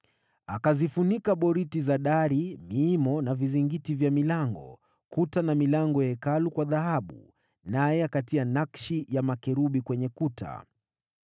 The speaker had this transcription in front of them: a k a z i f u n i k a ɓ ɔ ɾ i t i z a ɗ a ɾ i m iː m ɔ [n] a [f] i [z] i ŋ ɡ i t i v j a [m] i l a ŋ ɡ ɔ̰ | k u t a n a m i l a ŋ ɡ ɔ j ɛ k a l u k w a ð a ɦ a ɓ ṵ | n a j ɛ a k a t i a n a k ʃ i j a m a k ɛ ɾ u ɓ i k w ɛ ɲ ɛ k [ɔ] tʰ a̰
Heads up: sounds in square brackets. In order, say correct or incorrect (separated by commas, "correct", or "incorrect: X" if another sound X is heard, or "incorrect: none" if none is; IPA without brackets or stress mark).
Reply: correct, incorrect: v, correct, correct, incorrect: u